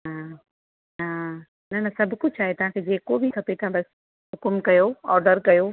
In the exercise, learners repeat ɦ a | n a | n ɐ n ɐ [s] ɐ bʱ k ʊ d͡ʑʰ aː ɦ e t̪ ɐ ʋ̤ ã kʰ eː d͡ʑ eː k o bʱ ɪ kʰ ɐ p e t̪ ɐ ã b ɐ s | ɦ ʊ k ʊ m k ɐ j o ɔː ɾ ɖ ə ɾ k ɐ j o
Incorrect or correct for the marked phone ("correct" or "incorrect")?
correct